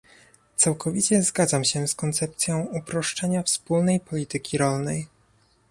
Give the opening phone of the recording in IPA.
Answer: t̪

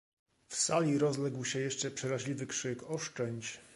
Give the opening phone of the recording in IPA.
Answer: f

